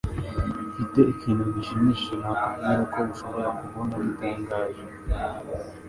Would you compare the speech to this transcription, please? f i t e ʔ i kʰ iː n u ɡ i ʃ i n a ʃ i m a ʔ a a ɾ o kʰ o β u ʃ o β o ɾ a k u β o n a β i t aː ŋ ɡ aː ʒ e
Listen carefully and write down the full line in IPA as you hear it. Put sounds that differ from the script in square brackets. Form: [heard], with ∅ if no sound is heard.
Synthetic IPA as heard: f i t e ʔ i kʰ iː n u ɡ i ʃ i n [i] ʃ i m a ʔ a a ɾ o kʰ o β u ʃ o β o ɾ a k u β o n a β i t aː ŋ ɡ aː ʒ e